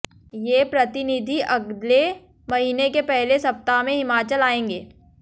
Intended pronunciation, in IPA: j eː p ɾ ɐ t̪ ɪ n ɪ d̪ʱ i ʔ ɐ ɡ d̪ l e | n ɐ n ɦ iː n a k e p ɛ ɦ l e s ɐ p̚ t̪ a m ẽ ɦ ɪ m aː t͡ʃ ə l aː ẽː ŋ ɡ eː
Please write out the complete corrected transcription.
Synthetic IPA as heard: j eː p ɾ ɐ t̪ ɪ n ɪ d̪ʱ i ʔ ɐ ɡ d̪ l e | m ɐ ɦ iː n e k e p ɛ ɦ l e s ɐ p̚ t̪ a m ẽ ɦ ɪ m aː t͡ʃ ə l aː ẽː ŋ ɡ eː